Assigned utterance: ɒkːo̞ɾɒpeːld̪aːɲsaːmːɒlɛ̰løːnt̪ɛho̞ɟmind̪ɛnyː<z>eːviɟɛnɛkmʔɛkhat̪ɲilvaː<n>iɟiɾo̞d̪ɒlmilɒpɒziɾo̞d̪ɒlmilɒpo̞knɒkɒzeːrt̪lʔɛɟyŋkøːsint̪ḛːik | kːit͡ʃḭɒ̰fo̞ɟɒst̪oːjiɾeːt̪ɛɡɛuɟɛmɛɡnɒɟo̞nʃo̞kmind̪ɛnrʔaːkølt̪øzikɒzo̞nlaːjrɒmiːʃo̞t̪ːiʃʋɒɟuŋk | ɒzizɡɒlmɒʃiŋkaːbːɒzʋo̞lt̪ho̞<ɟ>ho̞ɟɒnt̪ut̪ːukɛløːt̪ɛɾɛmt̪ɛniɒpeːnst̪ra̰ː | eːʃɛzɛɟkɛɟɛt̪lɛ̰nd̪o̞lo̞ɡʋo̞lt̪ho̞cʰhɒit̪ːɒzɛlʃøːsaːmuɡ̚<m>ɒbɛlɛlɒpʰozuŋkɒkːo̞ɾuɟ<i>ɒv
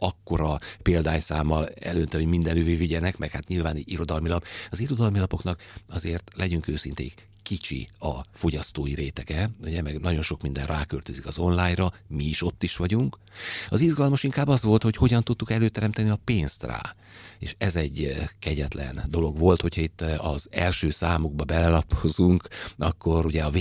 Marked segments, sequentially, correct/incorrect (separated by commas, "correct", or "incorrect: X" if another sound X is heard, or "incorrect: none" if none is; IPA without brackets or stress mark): incorrect: v, correct, incorrect: c, incorrect: b, incorrect: ɛ